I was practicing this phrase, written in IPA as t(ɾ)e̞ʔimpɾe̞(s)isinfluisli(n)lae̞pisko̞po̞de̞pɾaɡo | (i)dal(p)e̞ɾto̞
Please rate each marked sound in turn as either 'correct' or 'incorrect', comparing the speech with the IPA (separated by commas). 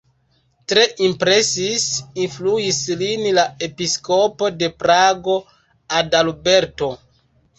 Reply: correct, correct, correct, incorrect, incorrect